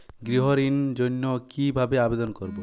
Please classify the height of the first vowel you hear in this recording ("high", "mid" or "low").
high